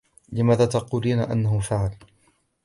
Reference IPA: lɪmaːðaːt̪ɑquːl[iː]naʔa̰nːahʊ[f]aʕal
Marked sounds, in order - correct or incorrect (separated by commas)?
correct, correct